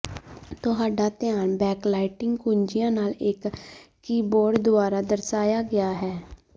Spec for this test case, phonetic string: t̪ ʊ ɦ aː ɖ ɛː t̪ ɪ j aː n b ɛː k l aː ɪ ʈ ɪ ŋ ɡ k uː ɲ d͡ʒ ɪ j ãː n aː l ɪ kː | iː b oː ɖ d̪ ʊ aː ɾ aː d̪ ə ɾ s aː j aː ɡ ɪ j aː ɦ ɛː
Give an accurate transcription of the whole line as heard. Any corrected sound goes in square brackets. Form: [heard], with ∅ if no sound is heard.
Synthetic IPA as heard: t̪ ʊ ɦ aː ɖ [aː] t̪ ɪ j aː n b ɛː k l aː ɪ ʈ ɪ ŋ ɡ k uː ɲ d͡ʒ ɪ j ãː n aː l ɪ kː | iː b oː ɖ d̪ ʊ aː ɾ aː d̪ ə ɾ s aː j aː ɡ ɪ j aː ɦ ɛː

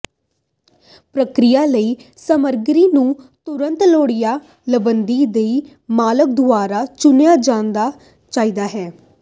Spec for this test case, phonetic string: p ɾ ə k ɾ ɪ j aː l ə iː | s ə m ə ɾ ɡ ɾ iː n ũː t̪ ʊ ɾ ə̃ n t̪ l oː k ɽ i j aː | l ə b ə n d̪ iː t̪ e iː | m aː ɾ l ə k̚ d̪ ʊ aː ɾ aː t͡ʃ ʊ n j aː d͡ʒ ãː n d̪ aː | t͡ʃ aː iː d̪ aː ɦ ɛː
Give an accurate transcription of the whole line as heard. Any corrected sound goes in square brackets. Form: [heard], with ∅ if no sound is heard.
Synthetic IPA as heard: p ɾ ə k ɾ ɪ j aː l ə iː | s ə m ə ɾ ɡ ɾ iː n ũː t̪ ʊ ɾ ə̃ n t̪ l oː [∅] ɽ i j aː | l ə b ə n d̪ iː [d̪] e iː | m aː [∅] l ə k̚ d̪ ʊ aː ɾ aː t͡ʃ ʊ n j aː d͡ʒ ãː n d̪ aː | t͡ʃ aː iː d̪ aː ɦ ɛː

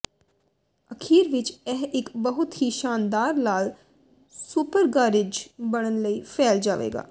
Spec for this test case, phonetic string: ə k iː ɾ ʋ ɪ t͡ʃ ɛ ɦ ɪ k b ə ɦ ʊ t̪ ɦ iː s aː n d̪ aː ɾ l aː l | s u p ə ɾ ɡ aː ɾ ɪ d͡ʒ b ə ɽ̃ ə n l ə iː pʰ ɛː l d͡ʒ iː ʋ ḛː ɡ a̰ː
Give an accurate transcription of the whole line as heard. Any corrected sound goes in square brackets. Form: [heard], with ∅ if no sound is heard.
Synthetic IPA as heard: ə [kʰ] iː ɾ ʋ ɪ t͡ʃ ɛ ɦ ɪ k b ə ɦ ʊ t̪ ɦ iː [ʃ] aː n d̪ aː ɾ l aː l | s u p ə ɾ ɡ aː ɾ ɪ d͡ʒ b ə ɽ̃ ə n l ə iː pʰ ɛː l d͡ʒ [aː] ʋ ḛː ɡ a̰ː

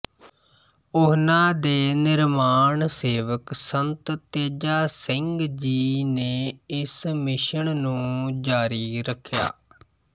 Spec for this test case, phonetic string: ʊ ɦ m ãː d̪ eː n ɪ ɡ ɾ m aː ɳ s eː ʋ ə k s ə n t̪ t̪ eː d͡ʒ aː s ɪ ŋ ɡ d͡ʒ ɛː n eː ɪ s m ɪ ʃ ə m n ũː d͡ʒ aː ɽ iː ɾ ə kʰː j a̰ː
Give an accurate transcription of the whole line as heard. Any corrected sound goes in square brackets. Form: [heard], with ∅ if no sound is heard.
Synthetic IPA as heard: ʊ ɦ [n] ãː d̪ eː n ɪ [∅] ɾ m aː ɳ s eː ʋ ə k s ə n t̪ t̪ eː d͡ʒ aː s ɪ ŋ ɡ d͡ʒ [iː] n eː ɪ s m ɪ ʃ ə [ɳ] n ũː d͡ʒ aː [ɾ] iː ɾ ə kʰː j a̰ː

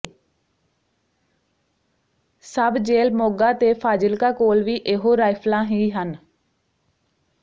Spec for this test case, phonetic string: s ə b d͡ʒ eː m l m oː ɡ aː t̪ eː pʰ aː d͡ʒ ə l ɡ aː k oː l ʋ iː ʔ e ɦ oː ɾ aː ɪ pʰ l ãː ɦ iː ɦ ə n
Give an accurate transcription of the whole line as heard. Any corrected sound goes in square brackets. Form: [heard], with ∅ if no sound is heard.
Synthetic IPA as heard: s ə b d͡ʒ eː [∅] l m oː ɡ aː t̪ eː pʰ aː d͡ʒ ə l [k] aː k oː l ʋ iː ʔ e ɦ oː ɾ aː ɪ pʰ l ãː ɦ iː ɦ ə n

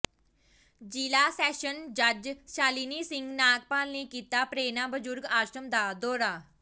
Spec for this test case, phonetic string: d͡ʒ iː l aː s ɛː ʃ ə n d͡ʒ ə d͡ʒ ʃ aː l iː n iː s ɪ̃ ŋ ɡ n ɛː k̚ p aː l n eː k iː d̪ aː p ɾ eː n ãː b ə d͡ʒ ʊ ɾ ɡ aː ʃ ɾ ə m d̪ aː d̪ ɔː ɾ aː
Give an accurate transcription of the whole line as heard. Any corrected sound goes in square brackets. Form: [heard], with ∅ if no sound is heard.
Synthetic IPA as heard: d͡ʒ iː l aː s ɛː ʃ ə n d͡ʒ ə d͡ʒ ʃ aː l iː n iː s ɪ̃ ŋ ɡ n [aː] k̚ p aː l n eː k iː [t̪] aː p ɾ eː n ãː b ə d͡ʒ ʊ ɾ ɡ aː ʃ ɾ ə m d̪ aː d̪ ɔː ɾ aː

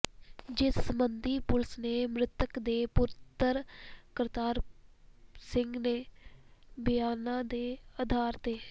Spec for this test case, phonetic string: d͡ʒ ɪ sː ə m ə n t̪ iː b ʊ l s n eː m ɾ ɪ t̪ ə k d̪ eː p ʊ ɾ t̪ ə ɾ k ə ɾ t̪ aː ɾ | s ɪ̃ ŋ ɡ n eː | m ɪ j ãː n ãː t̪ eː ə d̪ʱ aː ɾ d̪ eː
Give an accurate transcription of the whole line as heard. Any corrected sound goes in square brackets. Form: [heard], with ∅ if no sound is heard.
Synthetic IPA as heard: d͡ʒ ɪ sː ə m ə n [d̪] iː [p] ʊ l s n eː m ɾ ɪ t̪ ə k d̪ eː p ʊ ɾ t̪ ə ɾ k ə ɾ t̪ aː ɾ | s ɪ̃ ŋ ɡ n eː | [b] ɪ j [aː] n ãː [d̪] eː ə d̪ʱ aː ɾ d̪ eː

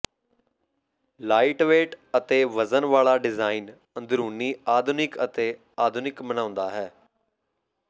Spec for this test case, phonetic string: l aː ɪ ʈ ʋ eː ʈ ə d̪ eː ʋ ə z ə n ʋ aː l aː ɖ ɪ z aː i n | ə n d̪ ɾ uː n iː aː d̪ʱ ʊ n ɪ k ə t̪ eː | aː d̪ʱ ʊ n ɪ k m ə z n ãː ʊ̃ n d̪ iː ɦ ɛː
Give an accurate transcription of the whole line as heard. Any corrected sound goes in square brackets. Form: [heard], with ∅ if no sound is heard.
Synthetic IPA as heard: l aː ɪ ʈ ʋ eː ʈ ə [t̪] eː ʋ ə z ə n ʋ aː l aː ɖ ɪ z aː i n | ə n d̪ ɾ uː n iː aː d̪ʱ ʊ n ɪ k ə t̪ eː | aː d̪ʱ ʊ n ɪ k m ə [∅] n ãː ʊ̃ n d̪ [aː] ɦ ɛː

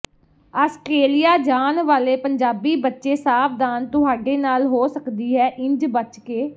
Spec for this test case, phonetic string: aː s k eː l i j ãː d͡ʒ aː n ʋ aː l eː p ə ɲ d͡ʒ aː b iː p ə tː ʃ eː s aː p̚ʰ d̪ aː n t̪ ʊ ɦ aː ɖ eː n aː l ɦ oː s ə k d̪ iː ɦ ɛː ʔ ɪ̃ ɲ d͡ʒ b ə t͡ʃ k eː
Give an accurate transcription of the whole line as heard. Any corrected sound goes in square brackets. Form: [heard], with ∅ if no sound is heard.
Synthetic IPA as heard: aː s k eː l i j [aː] d͡ʒ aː n ʋ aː l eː p ə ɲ d͡ʒ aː b iː [b] ə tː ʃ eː s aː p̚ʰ d̪ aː n t̪ ʊ ɦ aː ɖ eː n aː l ɦ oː s ə k d̪ iː ɦ ɛː ʔ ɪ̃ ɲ d͡ʒ b ə t͡ʃ k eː

